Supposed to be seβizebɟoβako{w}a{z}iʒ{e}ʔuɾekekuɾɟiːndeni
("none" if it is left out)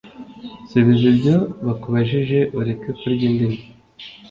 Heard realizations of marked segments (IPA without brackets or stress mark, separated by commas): β, ʒ, e